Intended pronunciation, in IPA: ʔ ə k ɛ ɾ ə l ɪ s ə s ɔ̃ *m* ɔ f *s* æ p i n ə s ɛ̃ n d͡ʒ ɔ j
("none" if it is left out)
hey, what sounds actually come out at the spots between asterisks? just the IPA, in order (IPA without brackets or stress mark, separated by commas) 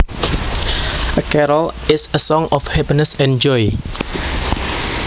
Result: ŋ, h